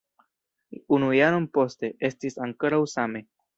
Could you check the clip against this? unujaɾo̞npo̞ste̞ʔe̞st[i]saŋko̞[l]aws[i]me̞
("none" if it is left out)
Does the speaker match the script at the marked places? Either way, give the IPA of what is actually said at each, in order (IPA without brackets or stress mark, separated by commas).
i, ɾ, a